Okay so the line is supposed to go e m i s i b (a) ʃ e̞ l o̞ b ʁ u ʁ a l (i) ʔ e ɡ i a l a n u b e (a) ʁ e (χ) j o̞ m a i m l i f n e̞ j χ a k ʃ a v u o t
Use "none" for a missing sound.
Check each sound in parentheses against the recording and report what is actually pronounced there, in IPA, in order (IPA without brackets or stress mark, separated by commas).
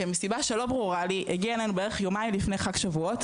a, i, e, χ